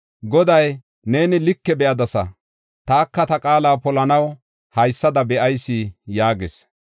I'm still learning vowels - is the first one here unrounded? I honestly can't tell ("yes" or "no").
no